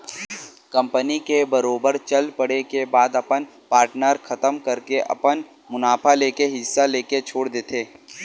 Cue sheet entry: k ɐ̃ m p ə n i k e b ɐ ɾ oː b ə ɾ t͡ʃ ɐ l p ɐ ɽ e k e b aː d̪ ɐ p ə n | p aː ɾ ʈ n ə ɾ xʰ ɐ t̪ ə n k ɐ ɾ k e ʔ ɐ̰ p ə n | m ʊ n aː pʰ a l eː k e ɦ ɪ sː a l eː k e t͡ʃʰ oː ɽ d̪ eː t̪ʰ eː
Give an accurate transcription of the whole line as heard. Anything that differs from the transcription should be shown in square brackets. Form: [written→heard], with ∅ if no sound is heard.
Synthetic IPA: k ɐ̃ m p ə n i k e b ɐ ɾ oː b ə ɾ t͡ʃ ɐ l p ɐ ɽ e k e b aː d̪ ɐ p ə n | p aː ɾ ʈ n ə ɾ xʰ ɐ t̪ ə [n→m] k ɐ ɾ k e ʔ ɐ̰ p ə n | m ʊ n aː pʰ a l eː k e ɦ ɪ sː a l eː k e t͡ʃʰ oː ɽ d̪ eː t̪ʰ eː